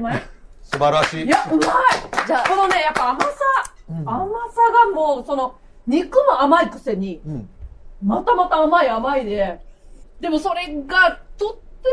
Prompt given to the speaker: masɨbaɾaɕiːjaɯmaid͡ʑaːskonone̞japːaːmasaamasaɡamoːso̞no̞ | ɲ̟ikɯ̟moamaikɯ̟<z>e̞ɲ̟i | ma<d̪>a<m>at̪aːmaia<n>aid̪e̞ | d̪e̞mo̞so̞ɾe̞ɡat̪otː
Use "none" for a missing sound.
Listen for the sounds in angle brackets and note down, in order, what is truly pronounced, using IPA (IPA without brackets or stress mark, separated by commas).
s, t̪, m, m